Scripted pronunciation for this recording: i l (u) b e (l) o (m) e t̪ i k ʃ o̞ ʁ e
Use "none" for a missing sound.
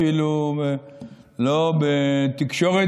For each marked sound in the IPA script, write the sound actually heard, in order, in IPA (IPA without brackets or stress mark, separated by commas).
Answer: u, l, b